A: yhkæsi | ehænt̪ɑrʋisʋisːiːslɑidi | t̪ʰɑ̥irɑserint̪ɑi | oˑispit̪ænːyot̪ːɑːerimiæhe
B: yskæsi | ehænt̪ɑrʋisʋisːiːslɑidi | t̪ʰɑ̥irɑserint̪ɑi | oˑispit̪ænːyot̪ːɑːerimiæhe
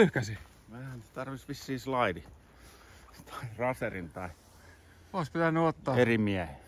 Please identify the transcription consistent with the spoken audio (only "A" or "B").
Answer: A